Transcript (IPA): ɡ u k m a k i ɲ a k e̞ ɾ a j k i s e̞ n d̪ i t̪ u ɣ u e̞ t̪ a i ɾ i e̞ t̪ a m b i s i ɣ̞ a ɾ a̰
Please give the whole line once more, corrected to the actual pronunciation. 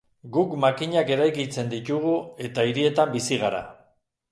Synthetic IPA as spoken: ɡ u k m a k i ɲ a k e̞ ɾ a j k i t͡s e̞ n d̪ i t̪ u ɣ u e̞ t̪ a i ɾ i e̞ t̪ a m b i s i ɣ̞ a ɾ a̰